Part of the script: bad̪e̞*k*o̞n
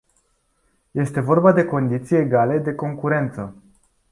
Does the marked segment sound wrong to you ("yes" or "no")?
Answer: no